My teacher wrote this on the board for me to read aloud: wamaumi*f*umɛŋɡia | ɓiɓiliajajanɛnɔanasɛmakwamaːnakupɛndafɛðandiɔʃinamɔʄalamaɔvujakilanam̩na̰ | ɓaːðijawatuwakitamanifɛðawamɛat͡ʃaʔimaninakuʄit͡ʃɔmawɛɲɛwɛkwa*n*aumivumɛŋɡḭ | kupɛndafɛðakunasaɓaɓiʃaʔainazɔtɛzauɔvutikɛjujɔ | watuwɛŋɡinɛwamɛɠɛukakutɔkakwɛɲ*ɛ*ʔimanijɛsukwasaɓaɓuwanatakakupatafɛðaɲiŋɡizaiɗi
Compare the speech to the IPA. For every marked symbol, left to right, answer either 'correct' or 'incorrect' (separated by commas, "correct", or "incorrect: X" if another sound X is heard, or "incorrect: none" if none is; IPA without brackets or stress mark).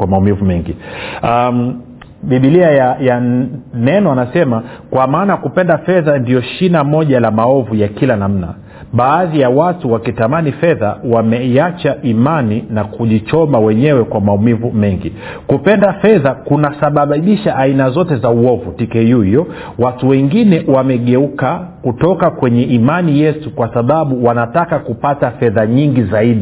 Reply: incorrect: v, incorrect: m, correct